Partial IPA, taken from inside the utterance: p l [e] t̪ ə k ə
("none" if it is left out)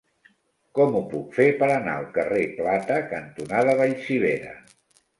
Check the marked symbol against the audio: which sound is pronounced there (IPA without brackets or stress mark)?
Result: a